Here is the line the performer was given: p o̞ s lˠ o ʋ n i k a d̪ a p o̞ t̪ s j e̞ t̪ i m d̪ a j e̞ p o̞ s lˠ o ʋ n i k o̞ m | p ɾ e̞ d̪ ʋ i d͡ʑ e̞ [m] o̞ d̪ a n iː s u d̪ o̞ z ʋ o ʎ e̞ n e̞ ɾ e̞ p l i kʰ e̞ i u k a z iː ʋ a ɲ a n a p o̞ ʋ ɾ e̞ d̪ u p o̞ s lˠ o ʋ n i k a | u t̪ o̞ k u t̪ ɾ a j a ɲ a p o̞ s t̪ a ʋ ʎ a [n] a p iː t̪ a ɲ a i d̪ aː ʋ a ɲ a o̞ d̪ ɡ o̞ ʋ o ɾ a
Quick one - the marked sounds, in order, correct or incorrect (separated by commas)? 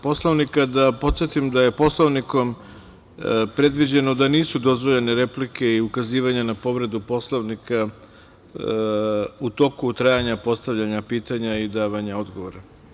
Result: incorrect, incorrect